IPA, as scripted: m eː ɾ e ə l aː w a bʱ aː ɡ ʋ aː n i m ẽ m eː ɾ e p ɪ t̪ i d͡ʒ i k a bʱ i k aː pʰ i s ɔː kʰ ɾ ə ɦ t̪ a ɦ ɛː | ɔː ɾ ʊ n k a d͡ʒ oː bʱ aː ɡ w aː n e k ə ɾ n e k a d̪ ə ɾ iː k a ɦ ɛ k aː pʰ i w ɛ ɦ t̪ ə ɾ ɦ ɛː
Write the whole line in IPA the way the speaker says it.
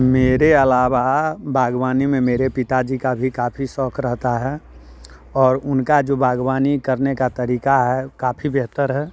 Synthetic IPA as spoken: m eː ɾ e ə l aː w a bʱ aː ɡ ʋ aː n i m ẽ m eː ɾ e p ɪ t̪ a d͡ʒ i k a bʱ i k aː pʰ i s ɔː kʰ ɾ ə ɦ t̪ a ɦ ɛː | ɔː ɾ ʊ n k a d͡ʒ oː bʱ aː ɡ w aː n i k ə ɾ n e k a t̪ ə ɾ iː k a ɦ ɛ k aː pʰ i b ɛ ɦ t̪ ə ɾ ɦ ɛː